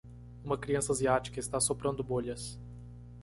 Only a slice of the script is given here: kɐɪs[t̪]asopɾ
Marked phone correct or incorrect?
correct